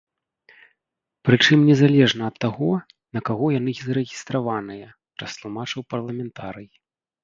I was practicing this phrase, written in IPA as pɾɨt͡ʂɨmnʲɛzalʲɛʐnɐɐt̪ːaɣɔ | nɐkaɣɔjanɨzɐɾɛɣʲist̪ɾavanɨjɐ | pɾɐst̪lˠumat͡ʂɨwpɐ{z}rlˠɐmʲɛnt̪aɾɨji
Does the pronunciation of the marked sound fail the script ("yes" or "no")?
yes